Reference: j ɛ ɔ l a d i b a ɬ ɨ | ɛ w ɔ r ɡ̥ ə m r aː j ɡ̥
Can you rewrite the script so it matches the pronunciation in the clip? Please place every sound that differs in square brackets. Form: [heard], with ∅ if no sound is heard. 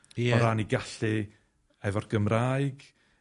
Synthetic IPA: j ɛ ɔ [ɾ] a [n] i [ɡ] a ɬ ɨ | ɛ [v] ɔ r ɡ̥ ə m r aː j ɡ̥